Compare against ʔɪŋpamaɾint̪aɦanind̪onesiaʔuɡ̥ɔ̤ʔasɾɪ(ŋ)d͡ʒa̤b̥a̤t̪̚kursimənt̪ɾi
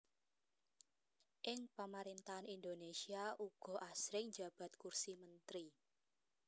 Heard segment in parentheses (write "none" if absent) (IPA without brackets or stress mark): ŋ